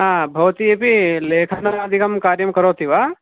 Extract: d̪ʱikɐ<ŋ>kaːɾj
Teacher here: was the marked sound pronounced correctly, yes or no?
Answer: no